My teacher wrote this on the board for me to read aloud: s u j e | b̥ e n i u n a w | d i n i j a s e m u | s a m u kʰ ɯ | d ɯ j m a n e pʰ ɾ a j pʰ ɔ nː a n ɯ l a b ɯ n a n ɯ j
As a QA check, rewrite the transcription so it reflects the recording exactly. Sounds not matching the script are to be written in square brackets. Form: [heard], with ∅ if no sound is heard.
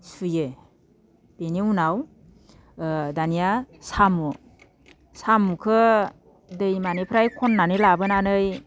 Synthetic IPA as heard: s u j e | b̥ e n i u n a w | d [a] n i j a s [a] m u | s a m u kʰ ɯ | d ɯ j m a n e pʰ ɾ a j [kʰ] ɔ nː a n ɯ l a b ɯ n a n ɯ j